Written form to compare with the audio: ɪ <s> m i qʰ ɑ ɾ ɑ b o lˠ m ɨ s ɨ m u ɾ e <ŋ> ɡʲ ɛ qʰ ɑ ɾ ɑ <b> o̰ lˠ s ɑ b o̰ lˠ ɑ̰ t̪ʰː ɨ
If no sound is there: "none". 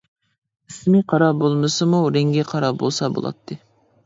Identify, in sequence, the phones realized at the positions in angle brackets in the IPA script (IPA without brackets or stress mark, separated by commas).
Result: s, ŋ, b